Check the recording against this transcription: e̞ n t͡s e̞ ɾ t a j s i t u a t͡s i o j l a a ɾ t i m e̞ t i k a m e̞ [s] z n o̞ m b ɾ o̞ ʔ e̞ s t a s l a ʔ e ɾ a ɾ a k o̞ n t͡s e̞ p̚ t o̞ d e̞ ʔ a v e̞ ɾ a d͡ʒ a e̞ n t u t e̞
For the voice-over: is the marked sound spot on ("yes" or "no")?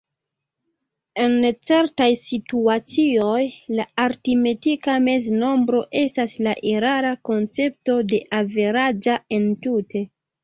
no